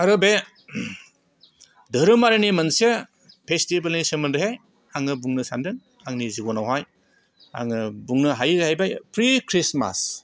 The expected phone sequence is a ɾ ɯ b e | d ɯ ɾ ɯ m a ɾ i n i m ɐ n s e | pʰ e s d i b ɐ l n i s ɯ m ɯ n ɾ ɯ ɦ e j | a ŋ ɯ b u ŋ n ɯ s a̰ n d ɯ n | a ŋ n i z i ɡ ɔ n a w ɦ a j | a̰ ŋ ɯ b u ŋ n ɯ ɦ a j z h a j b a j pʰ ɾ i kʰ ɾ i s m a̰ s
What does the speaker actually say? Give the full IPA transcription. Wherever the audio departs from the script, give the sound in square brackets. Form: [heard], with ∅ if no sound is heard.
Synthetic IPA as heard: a ɾ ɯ b e | d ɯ ɾ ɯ m a ɾ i n i m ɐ n s e | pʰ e s [t] i b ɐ l n i s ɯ m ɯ n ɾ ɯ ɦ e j | a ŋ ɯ b u ŋ n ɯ s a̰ n d ɯ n | a ŋ n i z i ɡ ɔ n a w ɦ a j | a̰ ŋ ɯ b u ŋ n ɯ ɦ a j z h a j b a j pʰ ɾ i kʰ ɾ i s m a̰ s

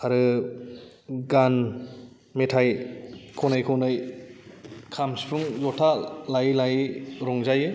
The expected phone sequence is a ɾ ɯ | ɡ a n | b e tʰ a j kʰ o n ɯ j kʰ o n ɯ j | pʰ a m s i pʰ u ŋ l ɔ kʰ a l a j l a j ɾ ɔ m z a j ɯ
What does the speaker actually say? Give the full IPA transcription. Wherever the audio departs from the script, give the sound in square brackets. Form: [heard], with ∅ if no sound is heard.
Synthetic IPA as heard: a ɾ ɯ | ɡ a n | [m] e tʰ a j kʰ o n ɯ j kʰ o n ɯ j | [kʰ] a m s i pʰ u ŋ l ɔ [tʰ] a l a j l a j ɾ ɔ [ŋ] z a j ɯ

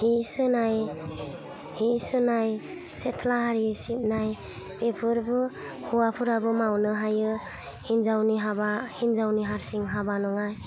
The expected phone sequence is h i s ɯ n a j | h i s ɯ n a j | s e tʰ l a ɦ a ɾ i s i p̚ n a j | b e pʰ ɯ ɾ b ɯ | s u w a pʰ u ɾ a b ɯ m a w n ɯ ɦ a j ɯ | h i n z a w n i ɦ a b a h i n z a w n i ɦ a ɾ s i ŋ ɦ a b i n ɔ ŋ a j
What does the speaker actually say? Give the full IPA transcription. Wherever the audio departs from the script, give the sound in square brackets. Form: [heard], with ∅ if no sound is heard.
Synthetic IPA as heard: h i s ɯ n a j | h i s ɯ n a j | s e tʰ l a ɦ a ɾ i s i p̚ n a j | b e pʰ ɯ ɾ b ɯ | [h] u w a pʰ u ɾ a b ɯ m a w n ɯ ɦ a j ɯ | h i n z a w n i ɦ a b a h i n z a w n i ɦ a ɾ s i ŋ ɦ a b [a] n ɔ ŋ a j

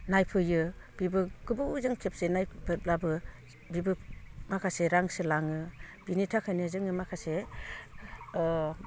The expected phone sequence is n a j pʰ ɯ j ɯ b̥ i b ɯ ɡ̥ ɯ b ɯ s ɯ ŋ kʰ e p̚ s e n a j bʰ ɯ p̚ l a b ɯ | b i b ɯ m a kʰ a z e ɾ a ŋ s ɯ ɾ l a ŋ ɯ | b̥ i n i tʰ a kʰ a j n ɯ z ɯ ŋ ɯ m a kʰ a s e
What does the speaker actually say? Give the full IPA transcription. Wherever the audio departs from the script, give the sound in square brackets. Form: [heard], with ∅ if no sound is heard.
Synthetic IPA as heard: n a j pʰ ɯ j ɯ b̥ i b ɯ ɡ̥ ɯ b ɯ [z] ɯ ŋ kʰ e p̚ s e n a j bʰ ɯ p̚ l a b ɯ | b i b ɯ m a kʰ a [s] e ɾ a ŋ s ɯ [∅] l a ŋ ɯ | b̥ i n i tʰ a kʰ a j n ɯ z ɯ ŋ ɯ m a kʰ a s e

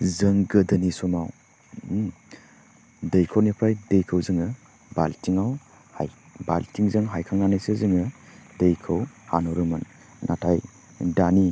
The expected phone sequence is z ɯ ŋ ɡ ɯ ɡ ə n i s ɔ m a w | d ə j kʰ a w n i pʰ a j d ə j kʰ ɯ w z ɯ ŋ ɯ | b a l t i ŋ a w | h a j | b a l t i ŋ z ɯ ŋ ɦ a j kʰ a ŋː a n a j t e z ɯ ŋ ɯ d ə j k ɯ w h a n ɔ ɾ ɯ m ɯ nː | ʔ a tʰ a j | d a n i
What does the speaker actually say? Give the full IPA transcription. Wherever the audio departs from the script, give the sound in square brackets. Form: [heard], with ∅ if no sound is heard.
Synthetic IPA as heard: z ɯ ŋ ɡ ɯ [d] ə n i s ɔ m a w | d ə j kʰ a w n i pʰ a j d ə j kʰ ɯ w z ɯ ŋ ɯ | b a l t i ŋ a w | h a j | b a l t i ŋ z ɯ ŋ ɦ a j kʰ a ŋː a n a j [s] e z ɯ ŋ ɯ d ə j [kʰ] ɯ w h a n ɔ ɾ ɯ m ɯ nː | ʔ a tʰ a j | d a n i

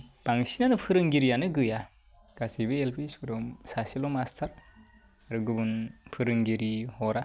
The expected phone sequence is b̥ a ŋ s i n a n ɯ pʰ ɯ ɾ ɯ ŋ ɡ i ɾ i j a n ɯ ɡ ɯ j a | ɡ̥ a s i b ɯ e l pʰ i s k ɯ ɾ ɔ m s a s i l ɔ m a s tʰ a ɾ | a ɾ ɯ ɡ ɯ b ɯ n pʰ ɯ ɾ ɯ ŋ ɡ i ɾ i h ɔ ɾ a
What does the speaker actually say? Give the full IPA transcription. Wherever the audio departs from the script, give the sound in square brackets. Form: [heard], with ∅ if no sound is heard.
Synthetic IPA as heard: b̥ a ŋ s i n a n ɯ pʰ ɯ ɾ ɯ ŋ ɡ i ɾ i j a n ɯ ɡ ɯ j a | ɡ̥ a s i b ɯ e l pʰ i s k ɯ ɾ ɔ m s a s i l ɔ m a s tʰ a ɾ | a ɾ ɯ ɡ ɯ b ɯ n pʰ ɯ ɾ ɯ ŋ ɡ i ɾ i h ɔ ɾ a

